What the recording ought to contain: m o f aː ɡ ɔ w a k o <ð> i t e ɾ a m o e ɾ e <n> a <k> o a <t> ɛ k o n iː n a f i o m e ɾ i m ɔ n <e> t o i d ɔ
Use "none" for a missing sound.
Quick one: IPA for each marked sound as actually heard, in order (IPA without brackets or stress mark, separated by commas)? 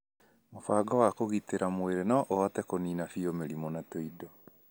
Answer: ɣ, n, ʔ, t, a